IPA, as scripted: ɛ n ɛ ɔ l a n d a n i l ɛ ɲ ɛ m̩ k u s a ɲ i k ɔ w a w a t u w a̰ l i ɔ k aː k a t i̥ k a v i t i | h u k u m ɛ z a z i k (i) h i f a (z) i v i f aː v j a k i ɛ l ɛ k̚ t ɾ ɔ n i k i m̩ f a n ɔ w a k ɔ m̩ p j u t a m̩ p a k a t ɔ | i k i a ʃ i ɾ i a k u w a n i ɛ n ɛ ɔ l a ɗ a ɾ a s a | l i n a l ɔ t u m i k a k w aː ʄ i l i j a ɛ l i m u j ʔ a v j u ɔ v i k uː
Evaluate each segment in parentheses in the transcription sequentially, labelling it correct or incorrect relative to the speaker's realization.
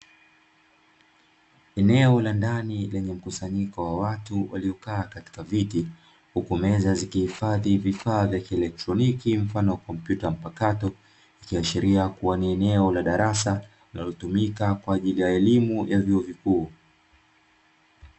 correct, incorrect

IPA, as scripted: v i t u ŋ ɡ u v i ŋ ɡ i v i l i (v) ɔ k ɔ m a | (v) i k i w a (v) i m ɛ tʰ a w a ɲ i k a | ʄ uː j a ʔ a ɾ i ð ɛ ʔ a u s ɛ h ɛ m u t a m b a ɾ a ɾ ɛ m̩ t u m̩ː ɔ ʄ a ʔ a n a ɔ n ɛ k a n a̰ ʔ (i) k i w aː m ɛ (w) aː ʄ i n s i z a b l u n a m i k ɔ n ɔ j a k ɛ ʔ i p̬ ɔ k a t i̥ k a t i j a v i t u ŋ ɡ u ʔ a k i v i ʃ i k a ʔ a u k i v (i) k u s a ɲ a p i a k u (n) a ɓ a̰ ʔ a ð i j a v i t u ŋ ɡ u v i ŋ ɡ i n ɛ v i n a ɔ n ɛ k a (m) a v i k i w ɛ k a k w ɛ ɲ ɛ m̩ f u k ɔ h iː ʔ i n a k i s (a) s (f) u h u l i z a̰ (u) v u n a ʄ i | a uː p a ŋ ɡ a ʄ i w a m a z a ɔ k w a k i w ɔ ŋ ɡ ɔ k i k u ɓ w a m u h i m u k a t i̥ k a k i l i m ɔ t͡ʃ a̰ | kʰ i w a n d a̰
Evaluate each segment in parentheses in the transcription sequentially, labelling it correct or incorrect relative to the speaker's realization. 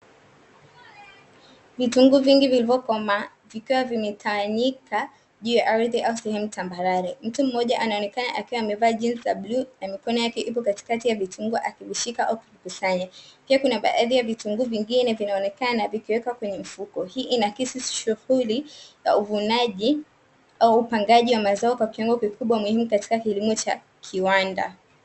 correct, correct, correct, incorrect, incorrect, correct, correct, incorrect, incorrect, incorrect, correct

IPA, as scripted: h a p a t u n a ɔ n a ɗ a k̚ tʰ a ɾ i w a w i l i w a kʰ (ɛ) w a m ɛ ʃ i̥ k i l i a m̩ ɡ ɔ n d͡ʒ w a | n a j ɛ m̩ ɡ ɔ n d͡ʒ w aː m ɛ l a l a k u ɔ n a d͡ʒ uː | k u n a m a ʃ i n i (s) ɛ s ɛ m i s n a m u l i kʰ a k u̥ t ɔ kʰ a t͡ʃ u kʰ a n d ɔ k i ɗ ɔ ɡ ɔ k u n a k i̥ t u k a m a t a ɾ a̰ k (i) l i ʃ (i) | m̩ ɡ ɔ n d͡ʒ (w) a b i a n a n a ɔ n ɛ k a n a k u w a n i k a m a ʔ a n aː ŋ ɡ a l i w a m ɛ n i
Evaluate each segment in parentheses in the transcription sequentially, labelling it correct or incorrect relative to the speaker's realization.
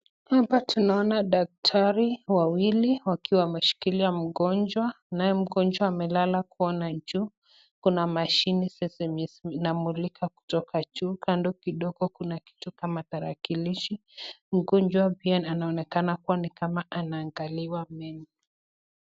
incorrect, correct, correct, correct, correct

